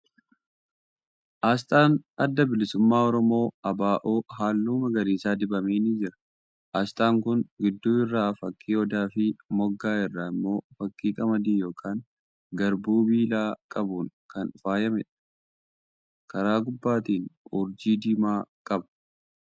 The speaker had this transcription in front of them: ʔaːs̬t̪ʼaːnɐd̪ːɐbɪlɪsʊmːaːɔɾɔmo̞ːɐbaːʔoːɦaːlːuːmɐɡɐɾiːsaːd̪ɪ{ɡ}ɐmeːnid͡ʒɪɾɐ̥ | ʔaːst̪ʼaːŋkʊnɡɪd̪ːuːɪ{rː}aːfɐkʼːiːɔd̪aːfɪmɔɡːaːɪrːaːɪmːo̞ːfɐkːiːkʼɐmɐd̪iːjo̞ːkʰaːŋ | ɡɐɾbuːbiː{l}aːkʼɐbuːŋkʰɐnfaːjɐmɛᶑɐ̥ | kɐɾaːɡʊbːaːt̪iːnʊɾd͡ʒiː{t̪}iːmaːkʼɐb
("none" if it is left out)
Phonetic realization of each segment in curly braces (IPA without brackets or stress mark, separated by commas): b, rː, l, d̪